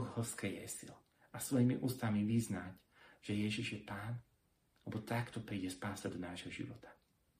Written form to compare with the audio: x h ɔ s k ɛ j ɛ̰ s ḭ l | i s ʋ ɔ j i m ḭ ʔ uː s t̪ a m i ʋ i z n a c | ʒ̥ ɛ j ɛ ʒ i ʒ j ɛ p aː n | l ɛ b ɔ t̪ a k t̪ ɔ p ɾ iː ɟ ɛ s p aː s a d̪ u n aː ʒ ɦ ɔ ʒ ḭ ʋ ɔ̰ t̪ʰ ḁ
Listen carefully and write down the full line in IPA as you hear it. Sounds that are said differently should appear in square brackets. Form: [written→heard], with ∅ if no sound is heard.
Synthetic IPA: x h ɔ s k ɛ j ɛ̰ s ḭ l | [i→a] s ʋ ɔ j i m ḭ ʔ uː s t̪ a m i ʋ i z n a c | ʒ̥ ɛ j ɛ ʒ i ʒ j ɛ p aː n | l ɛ b ɔ t̪ a k t̪ ɔ p ɾ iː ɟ ɛ s p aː s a d̪ [u→ɔ] n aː ʒ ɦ ɔ ʒ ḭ ʋ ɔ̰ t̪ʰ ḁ